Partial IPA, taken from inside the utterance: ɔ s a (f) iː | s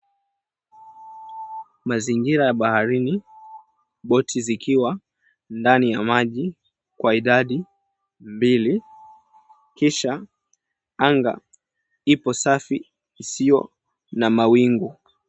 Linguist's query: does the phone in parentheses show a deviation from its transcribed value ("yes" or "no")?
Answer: no